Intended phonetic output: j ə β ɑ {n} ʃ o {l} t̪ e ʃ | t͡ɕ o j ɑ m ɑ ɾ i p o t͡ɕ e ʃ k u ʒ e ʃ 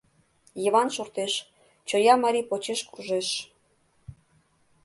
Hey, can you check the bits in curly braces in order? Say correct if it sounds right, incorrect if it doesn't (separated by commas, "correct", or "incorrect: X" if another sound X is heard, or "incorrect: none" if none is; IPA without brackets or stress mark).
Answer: correct, incorrect: r